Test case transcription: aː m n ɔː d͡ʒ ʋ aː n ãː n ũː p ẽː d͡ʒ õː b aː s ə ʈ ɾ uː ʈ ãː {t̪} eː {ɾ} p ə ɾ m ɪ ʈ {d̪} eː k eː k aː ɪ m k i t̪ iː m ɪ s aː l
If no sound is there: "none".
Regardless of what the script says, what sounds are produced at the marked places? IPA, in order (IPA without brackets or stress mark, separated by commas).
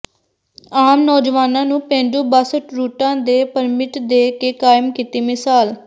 d̪, none, d̪